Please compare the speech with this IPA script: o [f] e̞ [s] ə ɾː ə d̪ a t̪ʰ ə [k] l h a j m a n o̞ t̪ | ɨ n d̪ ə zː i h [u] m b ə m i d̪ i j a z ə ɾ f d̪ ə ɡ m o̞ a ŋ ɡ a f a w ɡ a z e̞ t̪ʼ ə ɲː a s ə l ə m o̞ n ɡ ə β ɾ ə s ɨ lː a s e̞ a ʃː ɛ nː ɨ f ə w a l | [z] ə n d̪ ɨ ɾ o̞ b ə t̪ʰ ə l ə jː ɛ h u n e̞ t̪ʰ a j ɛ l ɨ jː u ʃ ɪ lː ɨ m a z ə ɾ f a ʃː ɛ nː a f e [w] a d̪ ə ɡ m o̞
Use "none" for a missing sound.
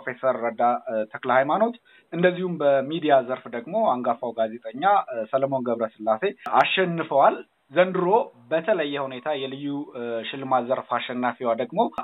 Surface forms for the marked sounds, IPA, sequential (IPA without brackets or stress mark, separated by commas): f, s, k, u, z, w